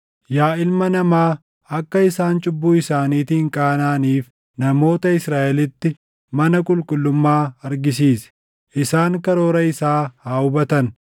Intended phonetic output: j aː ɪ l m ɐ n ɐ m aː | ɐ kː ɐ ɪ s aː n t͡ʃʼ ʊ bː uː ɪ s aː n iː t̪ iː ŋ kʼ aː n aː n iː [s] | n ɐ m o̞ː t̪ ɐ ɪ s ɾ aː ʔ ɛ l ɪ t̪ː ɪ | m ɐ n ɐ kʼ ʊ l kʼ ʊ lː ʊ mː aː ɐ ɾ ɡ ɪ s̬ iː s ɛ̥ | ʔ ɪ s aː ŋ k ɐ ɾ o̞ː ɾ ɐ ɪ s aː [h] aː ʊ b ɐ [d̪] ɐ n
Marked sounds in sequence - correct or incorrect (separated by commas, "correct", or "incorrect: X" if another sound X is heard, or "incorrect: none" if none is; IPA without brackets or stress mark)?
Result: incorrect: f, correct, incorrect: t̪